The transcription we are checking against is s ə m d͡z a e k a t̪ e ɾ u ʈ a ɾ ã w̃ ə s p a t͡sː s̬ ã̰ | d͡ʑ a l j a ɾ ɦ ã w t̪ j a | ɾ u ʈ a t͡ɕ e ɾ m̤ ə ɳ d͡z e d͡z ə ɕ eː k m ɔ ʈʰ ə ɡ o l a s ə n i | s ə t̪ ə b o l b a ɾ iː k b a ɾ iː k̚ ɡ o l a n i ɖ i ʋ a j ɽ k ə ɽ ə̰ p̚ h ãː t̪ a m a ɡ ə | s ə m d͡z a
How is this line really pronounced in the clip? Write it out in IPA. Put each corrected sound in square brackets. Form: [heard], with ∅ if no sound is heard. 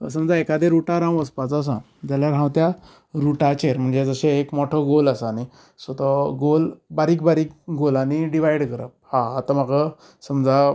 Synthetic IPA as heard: s ə m d͡z a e k a [d̪] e ɾ u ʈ a ɾ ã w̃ ə s p a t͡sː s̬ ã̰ | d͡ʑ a l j a ɾ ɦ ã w t̪ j a | ɾ u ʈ a t͡ɕ e ɾ m̤ ə ɳ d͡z e d͡z ə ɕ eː k m ɔ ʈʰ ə ɡ o l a s [a] n i | s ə t̪ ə [ɡ] o l b a ɾ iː k b a ɾ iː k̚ ɡ o l a n i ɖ i ʋ a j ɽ k ə [ɾ] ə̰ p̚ h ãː t̪ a m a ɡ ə | s ə m d͡z a

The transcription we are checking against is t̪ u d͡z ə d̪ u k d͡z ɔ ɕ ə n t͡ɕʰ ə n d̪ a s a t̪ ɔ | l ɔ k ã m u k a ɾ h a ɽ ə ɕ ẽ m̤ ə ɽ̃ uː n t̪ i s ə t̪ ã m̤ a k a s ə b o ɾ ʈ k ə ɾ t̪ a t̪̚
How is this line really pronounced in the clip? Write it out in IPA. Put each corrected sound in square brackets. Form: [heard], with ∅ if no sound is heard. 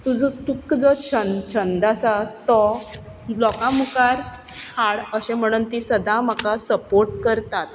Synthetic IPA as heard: t̪ u d͡z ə [t̪] u k d͡z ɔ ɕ ə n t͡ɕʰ ə n d̪ a s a t̪ ɔ | l ɔ k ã m u k a ɾ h a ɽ ə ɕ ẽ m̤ ə ɽ̃ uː n t̪ i s ə [d̪] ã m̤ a k a s ə [p] o ɾ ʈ k ə ɾ t̪ a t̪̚

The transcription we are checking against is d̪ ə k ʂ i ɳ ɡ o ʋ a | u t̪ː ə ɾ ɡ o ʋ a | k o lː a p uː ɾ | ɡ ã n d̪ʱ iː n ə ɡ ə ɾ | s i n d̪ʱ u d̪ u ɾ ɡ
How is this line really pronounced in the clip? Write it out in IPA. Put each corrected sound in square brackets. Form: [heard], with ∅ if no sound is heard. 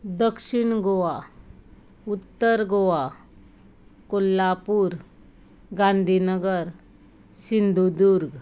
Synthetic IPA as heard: d̪ ə k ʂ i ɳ ɡ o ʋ a | u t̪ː ə ɾ ɡ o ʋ a | k o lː a p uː ɾ | ɡ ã n d̪ʱ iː n ə ɡ ə ɾ | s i n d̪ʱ u d̪ u ɾ ɡ

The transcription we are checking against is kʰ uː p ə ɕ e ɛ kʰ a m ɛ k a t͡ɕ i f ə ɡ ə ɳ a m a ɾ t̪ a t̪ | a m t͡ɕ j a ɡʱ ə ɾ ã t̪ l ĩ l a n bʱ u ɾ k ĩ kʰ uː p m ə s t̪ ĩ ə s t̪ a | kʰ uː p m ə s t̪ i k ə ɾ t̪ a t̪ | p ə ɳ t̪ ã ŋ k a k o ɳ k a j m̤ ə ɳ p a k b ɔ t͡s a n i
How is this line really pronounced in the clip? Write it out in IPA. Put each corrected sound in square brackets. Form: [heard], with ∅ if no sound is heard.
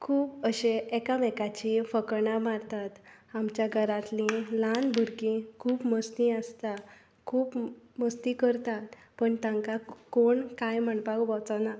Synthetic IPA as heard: kʰ uː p ə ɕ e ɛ [k] a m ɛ k a t͡ɕ i f ə [k] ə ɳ a m a ɾ t̪ a t̪ | a m t͡ɕ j a ɡʱ ə ɾ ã t̪ l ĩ l a n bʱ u ɾ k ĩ kʰ uː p m ə s t̪ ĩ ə s t̪ a | kʰ uː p m ə s t̪ i k ə ɾ t̪ a t̪ | p ə ɳ t̪ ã ŋ k a k o ɳ k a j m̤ ə ɳ p a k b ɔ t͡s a n [a]

